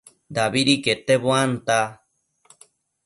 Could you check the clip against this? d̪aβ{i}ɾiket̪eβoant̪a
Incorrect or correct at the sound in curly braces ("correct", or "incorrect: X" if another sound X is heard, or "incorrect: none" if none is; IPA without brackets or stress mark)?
correct